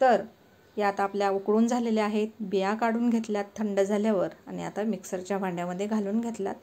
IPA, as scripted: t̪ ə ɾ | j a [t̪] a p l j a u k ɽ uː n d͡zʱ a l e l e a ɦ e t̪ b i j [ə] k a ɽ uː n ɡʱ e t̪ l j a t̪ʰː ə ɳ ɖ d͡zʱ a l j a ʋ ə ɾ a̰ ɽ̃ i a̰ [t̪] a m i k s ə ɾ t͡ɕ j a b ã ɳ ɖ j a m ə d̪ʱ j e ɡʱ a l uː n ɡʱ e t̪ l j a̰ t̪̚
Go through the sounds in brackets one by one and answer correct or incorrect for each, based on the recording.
correct, incorrect: a, correct

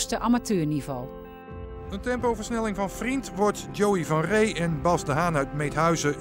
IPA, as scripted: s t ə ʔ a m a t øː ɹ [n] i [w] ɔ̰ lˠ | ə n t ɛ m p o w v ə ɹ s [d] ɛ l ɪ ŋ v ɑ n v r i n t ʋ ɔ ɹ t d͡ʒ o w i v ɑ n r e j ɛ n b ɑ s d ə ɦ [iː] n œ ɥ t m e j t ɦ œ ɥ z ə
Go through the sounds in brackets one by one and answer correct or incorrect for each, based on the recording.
correct, incorrect: v, incorrect: n, incorrect: aː

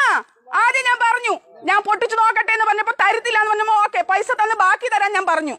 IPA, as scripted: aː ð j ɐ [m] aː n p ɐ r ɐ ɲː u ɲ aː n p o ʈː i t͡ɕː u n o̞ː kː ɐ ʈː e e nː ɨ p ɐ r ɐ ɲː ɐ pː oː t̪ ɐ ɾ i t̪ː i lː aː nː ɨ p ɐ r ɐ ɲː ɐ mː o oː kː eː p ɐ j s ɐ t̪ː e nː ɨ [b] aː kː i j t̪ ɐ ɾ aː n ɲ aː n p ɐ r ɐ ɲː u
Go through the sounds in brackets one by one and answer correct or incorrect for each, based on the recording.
incorrect: ɲ, correct

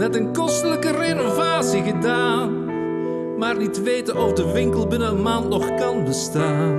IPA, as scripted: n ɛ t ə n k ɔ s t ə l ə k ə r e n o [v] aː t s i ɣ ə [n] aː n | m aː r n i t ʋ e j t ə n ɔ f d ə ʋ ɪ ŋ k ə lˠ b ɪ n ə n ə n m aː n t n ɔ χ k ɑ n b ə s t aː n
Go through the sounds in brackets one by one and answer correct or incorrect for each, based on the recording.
correct, incorrect: d

